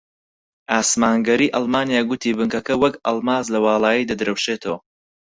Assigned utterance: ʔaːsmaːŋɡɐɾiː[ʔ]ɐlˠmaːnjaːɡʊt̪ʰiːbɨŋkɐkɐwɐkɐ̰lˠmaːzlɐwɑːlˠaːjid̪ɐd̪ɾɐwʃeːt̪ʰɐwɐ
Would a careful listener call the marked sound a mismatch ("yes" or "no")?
no